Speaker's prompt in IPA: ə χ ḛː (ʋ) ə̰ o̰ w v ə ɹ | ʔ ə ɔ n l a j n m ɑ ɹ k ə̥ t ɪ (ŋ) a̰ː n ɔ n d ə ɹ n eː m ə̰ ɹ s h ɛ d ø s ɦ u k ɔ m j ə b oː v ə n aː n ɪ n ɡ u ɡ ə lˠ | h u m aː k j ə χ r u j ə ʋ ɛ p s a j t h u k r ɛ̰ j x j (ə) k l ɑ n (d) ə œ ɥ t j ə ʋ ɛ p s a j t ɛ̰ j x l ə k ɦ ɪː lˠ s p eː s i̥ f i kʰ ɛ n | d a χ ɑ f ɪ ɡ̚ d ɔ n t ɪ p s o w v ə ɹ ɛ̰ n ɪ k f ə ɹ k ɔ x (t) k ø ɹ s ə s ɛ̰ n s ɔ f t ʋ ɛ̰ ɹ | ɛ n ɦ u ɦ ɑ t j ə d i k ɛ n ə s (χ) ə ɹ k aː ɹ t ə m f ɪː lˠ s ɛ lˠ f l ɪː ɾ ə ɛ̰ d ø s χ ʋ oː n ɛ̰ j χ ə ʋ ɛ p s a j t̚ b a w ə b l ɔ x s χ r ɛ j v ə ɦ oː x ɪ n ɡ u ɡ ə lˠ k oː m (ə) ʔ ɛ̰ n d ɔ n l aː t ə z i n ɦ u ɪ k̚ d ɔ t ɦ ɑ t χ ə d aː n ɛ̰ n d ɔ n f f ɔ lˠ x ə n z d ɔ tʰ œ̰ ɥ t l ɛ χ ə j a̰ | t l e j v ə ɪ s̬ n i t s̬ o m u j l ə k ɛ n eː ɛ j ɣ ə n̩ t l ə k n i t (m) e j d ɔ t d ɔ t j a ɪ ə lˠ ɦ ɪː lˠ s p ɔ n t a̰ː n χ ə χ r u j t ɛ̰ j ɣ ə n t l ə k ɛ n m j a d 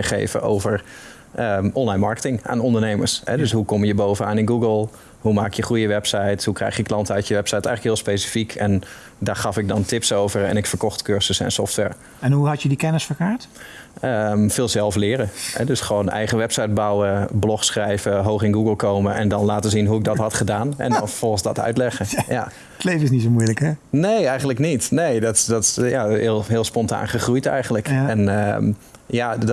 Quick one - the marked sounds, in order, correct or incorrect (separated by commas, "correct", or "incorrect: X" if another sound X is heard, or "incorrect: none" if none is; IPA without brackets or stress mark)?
incorrect: v, correct, correct, incorrect: t, correct, incorrect: f, correct, incorrect: n